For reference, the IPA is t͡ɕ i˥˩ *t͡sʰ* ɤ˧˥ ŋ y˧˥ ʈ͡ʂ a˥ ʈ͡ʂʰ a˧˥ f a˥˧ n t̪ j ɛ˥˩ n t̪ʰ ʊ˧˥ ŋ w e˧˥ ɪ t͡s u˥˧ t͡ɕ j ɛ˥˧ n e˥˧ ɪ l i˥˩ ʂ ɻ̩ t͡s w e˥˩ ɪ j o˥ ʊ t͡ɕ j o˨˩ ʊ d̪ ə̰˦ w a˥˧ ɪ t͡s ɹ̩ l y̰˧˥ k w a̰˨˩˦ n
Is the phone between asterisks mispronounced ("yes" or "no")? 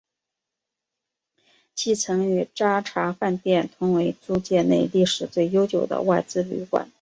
no